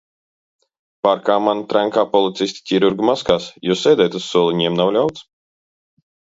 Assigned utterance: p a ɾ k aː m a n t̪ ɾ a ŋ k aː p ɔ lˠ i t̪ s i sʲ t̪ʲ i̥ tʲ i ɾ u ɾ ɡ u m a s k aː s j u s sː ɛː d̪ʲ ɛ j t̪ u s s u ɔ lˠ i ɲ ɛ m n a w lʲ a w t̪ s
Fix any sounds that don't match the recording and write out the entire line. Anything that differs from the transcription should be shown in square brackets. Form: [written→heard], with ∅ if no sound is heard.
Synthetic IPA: p a ɾ k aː m a n t̪ ɾ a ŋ k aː p ɔ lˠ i t̪ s i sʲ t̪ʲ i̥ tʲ i ɾ u ɾ ɡ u m a s k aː s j u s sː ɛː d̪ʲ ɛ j t̪ u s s u ɔ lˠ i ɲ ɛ m n a w lʲ a w t̪ s